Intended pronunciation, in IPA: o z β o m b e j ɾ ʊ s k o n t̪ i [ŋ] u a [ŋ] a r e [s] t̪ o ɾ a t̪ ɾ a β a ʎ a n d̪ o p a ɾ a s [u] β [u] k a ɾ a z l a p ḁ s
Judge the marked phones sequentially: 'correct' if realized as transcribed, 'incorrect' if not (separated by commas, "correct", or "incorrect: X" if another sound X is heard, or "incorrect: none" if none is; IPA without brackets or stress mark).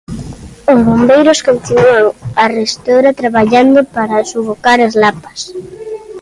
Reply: incorrect: n, correct, correct, correct, incorrect: o